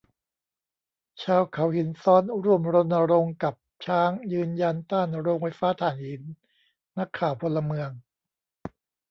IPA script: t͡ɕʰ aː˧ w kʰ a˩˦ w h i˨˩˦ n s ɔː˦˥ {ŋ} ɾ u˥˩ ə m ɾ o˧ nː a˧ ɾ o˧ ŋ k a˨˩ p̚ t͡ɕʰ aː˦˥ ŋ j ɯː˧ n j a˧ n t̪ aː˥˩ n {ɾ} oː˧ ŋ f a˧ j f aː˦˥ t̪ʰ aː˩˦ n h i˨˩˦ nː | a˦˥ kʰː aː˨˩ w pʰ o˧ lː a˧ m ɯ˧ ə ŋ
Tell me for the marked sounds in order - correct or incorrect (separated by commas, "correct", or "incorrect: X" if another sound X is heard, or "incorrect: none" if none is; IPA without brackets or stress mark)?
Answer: incorrect: n, correct